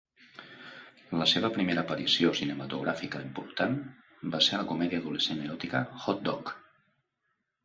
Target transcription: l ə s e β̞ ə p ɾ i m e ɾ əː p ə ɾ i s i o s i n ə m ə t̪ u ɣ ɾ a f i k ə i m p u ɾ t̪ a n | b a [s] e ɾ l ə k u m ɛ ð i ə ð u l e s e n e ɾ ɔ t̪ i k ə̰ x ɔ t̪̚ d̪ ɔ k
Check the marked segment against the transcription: correct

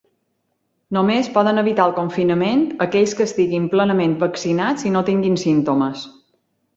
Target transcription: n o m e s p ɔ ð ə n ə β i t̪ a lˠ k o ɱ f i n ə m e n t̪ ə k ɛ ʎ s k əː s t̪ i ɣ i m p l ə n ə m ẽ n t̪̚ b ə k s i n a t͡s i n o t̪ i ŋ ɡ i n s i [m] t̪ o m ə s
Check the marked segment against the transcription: incorrect: n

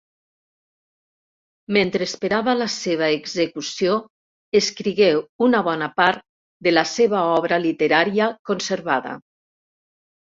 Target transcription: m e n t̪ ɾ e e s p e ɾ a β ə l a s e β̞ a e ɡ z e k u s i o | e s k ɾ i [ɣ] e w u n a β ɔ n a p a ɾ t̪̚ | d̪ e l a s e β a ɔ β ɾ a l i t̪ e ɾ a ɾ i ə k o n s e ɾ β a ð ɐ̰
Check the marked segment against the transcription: correct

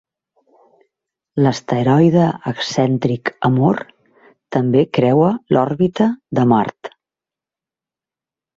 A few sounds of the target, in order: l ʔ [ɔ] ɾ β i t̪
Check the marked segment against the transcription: correct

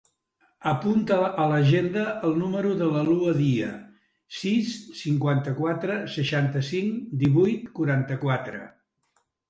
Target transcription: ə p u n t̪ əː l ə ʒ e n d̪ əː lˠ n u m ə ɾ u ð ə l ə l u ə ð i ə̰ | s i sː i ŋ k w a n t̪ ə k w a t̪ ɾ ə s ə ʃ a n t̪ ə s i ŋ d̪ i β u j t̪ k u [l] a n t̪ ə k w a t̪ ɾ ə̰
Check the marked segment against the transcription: incorrect: ɾ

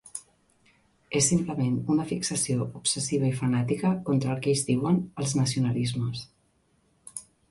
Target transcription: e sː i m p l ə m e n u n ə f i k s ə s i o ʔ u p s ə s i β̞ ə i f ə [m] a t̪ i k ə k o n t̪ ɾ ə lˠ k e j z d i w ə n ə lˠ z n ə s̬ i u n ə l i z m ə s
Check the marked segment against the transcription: incorrect: n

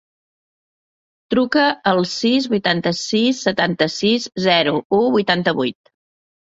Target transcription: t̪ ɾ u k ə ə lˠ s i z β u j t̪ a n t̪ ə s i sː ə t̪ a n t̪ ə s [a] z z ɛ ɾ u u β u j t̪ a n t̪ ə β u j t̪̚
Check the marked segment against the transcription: incorrect: i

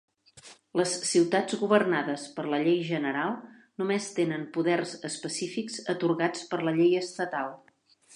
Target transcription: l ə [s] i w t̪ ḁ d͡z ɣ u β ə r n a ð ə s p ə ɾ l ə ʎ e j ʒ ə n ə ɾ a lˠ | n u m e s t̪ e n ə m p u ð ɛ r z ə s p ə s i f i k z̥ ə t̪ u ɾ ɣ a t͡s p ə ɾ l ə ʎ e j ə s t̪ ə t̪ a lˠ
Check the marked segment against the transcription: incorrect: sː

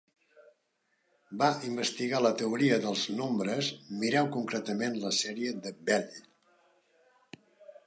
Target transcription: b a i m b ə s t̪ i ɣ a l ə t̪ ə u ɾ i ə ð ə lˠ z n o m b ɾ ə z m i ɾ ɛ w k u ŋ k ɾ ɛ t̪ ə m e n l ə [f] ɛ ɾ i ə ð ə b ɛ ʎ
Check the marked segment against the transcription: incorrect: s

